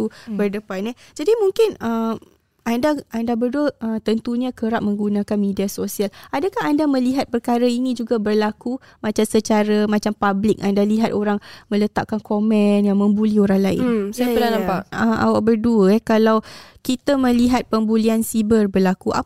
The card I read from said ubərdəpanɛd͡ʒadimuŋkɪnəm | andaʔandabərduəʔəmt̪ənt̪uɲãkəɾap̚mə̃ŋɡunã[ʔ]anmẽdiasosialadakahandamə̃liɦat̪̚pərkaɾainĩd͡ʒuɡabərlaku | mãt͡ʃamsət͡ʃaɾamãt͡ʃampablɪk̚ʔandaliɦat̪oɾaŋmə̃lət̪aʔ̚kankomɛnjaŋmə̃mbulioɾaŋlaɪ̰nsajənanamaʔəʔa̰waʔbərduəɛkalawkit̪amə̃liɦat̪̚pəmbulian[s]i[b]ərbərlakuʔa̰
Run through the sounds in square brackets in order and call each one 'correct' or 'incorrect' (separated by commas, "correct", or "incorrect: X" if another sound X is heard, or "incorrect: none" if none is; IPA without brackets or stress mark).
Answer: incorrect: k, correct, correct